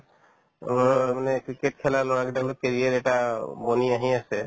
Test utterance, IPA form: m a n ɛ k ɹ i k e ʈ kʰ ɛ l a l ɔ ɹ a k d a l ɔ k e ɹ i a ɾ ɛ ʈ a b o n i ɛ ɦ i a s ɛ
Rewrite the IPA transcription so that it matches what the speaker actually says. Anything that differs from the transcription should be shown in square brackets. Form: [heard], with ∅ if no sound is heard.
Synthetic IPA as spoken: m a n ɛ k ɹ i k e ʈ kʰ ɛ l a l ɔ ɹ a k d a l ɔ k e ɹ i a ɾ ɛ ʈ a b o n i [a] ɦ i a s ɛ

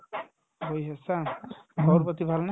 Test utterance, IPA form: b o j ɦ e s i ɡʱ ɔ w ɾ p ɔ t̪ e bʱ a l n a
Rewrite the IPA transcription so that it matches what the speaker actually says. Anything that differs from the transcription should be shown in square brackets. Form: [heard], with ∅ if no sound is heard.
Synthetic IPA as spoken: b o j ɦ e s [a] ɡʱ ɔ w ɾ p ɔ t̪ [i] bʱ a l n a

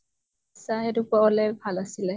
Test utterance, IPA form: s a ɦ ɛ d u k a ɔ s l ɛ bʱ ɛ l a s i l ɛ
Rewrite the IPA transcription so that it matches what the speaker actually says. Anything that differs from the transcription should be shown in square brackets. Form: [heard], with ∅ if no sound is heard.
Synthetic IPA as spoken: s a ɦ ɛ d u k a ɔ [∅] l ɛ bʱ [a] l a s i l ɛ

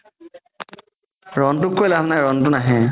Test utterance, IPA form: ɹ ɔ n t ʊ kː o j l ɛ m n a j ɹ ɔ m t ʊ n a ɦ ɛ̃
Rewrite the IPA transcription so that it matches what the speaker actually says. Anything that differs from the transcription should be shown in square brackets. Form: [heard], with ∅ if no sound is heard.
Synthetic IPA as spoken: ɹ ɔ n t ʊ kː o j l [a] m n a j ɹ ɔ [n] t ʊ n a ɦ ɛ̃

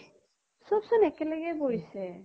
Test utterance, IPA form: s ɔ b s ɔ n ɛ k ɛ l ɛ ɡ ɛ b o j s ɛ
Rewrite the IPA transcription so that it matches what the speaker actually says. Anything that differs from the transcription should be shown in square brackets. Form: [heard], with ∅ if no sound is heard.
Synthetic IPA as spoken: s ɔ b s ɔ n ɛ k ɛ l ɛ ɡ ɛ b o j s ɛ

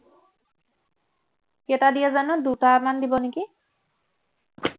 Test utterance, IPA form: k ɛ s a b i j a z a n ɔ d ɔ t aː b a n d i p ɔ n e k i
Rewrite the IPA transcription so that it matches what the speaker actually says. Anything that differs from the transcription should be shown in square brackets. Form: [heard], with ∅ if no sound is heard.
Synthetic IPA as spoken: k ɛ [t] a [d] i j a z a n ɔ d [u] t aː [m] a n d i [b] ɔ n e k i

